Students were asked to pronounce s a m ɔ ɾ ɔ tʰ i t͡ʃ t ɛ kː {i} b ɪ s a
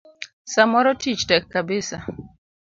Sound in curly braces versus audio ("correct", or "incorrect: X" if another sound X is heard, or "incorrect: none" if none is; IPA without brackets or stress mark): incorrect: a